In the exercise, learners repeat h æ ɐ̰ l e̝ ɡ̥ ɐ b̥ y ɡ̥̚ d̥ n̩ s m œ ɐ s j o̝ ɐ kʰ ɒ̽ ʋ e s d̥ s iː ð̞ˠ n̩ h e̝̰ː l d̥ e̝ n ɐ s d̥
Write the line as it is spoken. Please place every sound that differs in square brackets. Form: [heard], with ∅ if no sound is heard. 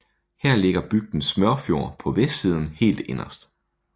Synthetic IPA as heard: h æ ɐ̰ l e̝ ɡ̥ ɐ b̥ y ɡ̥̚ d̥ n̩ s m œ ɐ [f] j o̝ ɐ [pʰ] ɒ̽ ʋ e s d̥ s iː ð̞ˠ n̩ h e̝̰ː l d̥ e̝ n ɐ s d̥